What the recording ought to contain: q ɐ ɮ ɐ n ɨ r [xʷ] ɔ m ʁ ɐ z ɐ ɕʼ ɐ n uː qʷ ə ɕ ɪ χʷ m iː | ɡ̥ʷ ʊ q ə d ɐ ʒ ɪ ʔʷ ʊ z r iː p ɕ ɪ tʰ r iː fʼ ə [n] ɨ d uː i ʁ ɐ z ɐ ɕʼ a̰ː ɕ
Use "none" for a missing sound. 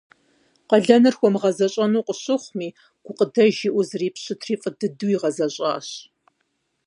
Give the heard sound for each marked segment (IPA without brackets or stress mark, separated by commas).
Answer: xʷ, d